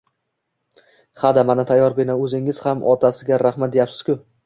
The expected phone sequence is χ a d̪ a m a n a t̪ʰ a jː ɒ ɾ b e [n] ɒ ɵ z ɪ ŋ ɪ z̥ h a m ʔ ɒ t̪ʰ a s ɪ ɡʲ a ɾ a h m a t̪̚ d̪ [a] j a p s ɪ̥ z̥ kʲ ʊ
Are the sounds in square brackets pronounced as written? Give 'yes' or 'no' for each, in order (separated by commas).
yes, no